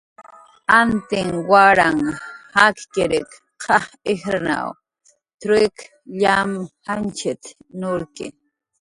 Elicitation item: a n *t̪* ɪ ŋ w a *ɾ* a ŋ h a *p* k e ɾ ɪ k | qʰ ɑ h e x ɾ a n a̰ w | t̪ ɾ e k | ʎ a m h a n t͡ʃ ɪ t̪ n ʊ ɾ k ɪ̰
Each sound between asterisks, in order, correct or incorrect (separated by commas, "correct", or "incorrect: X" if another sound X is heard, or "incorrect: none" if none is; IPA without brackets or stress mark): correct, correct, incorrect: k